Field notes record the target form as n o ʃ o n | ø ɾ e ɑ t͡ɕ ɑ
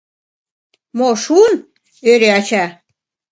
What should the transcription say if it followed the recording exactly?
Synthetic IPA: m o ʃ u n | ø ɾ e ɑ t͡ɕ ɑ